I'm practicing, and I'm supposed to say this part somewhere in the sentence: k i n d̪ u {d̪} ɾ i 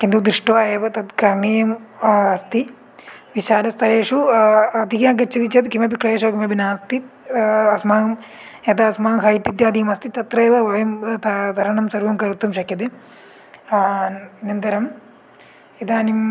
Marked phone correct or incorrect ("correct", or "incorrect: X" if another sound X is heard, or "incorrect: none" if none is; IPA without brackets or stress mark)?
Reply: correct